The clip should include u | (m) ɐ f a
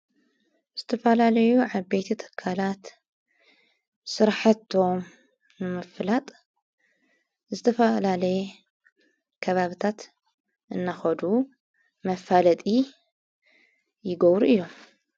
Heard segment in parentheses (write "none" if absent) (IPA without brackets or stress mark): m